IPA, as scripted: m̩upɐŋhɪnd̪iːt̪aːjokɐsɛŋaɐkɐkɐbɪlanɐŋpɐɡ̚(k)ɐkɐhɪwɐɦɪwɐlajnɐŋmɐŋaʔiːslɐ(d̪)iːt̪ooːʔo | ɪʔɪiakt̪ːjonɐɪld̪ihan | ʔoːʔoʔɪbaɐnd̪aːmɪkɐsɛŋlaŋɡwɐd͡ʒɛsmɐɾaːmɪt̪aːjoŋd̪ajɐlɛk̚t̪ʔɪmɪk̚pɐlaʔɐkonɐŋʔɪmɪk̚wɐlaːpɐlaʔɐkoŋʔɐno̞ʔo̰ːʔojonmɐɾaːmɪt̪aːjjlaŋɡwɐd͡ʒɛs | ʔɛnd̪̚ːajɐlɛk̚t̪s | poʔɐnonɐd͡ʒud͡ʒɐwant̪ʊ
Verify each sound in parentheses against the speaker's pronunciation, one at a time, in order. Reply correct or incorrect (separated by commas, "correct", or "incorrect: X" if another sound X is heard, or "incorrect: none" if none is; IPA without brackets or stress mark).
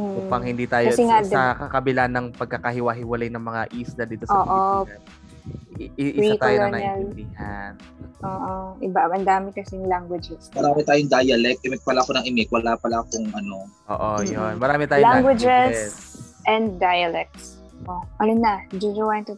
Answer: correct, correct